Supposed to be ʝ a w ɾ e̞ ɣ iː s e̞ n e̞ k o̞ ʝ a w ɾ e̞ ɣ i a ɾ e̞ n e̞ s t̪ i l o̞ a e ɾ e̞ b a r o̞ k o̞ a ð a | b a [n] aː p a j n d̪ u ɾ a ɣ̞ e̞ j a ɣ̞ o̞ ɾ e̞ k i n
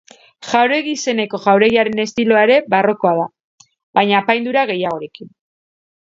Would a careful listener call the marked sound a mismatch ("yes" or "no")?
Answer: yes